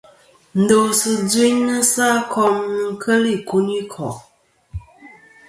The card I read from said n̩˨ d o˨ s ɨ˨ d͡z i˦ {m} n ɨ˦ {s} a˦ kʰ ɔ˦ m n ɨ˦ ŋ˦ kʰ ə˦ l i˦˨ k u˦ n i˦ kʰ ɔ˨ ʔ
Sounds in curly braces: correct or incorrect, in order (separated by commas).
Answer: incorrect, correct